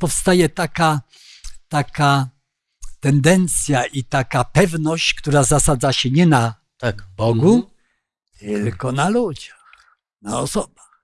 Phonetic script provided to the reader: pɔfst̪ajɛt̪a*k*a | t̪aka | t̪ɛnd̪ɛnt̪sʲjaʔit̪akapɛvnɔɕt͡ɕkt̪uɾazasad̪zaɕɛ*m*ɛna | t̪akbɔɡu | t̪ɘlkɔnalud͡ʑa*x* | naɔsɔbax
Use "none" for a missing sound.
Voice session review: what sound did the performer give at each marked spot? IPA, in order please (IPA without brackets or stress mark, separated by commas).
k, ɲ, x